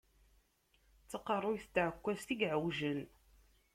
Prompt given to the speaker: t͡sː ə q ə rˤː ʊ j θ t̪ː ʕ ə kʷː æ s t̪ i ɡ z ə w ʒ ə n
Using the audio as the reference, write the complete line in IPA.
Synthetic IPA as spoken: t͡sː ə q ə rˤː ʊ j θ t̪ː ʕ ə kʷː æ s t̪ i ɡ ʕ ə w ʒ ə n